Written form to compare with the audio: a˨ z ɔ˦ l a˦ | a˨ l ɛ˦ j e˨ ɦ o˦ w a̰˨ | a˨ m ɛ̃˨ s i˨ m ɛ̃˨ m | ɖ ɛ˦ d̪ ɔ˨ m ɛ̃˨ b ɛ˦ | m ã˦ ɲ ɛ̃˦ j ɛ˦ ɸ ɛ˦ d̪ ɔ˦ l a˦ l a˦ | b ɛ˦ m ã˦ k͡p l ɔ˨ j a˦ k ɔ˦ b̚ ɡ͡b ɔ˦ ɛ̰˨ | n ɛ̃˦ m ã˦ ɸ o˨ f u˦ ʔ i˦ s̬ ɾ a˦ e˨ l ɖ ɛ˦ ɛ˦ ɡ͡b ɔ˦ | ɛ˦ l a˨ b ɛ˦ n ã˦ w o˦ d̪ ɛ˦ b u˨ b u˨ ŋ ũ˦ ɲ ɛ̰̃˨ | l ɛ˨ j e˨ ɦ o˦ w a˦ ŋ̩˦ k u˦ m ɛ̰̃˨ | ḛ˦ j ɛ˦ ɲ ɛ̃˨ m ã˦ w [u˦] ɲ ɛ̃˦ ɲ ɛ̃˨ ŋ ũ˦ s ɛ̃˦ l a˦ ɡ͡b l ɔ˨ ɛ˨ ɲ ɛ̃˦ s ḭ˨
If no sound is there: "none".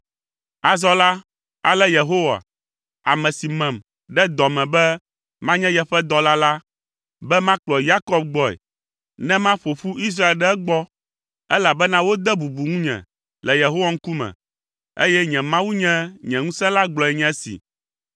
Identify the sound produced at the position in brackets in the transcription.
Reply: u˦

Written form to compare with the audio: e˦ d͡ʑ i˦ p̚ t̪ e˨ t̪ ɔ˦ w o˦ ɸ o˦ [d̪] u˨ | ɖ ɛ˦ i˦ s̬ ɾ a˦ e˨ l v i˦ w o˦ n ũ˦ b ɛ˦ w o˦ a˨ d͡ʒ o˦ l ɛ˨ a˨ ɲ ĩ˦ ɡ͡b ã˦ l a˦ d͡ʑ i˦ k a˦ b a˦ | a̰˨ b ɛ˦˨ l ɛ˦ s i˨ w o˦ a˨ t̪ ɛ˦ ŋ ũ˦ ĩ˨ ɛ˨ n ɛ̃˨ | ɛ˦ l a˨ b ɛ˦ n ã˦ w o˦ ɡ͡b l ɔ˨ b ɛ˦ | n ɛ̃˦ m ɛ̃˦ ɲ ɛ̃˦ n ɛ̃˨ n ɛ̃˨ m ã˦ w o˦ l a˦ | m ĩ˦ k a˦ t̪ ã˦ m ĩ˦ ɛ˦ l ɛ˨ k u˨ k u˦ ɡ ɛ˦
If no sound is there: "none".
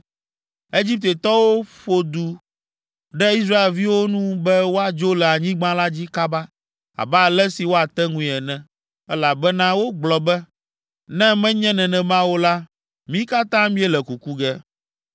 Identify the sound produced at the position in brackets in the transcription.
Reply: d̪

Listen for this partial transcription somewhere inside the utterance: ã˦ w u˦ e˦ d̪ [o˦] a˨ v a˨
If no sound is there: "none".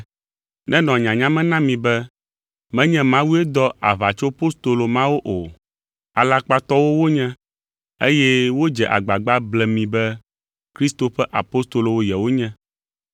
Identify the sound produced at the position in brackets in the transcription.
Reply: ɔ˦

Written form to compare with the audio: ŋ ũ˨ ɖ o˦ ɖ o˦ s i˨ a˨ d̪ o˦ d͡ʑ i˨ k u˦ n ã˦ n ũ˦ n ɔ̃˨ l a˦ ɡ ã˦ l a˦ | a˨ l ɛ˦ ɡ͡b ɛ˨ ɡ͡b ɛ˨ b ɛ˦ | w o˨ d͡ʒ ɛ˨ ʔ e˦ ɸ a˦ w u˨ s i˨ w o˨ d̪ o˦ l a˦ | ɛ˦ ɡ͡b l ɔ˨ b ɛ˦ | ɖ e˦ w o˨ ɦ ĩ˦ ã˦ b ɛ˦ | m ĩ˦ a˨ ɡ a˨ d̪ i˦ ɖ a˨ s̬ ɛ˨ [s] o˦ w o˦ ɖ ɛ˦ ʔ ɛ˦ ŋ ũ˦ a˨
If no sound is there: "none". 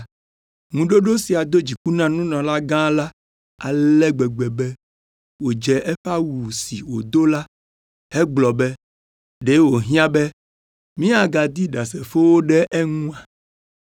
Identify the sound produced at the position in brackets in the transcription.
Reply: f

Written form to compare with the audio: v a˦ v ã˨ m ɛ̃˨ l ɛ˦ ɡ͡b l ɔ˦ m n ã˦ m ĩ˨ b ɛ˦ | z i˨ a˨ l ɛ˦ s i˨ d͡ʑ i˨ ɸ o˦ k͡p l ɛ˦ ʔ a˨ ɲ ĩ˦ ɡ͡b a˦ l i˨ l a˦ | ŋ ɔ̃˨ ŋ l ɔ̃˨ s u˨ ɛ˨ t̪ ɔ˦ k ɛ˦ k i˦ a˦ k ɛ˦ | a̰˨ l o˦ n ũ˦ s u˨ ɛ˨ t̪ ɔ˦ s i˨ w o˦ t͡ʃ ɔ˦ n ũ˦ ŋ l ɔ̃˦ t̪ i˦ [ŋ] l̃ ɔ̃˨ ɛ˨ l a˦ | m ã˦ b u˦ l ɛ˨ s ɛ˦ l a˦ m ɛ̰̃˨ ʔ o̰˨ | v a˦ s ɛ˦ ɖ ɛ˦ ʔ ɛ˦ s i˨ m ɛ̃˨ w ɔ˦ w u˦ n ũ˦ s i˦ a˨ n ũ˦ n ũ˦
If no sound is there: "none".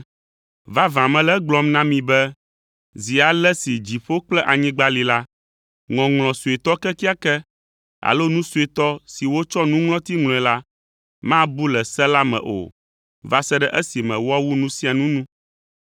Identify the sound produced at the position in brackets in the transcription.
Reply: ŋ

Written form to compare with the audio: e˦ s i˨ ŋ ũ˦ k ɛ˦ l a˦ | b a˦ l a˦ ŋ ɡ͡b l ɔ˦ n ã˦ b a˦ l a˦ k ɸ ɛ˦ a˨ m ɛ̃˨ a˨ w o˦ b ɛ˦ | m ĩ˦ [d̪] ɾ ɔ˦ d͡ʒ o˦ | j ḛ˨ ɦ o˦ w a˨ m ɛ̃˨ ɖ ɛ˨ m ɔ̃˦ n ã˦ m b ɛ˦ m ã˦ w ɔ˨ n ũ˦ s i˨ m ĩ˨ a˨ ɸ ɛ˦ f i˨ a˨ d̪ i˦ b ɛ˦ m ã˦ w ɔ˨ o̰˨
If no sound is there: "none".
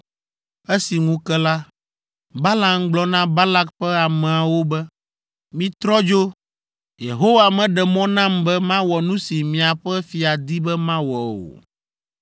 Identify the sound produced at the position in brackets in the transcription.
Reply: t̪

